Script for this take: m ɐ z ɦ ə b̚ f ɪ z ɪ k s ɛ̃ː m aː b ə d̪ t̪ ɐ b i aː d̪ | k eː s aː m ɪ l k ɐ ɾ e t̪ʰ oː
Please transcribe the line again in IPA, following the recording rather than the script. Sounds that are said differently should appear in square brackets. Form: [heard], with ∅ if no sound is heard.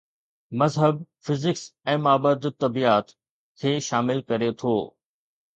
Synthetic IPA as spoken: m ɐ z ɦ ə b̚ f ɪ z ɪ k s ɛ̃ː m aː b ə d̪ t̪ ɐ b i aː [t̪] | [kʰ] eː [ʃ] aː m ɪ l k ɐ ɾ e t̪ʰ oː